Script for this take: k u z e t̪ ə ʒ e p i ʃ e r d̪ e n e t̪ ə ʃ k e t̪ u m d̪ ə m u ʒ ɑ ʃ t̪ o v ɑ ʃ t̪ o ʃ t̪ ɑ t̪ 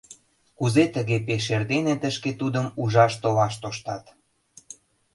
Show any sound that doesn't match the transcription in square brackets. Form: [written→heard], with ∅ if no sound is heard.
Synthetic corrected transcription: k u z e t̪ ə [ʒ→ɣ] e p [i→e] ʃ e r d̪ e n e t̪ ə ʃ k e t̪ u [m→∅] d̪ ə m u ʒ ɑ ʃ t̪ o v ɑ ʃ t̪ o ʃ t̪ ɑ t̪